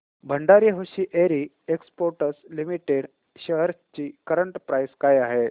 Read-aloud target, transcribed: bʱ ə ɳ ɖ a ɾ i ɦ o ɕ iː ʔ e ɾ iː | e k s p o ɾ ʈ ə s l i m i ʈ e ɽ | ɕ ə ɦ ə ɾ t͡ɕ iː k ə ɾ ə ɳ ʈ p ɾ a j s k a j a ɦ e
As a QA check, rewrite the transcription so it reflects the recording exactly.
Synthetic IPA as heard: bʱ ə ɳ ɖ a ɾ i ɦ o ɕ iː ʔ e ɾ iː | e k s p o ɾ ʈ ə s l i m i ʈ e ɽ | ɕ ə ɦ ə ɾ t͡ɕ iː k ə ɾ ə ɳ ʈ p ɾ a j s k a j a ɦ e